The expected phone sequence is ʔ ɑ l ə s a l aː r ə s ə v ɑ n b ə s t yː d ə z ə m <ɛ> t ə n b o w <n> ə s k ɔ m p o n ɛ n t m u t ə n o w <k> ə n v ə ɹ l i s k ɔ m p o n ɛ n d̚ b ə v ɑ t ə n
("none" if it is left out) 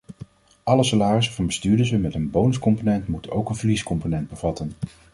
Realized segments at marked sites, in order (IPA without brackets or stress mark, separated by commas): ɛ, n, k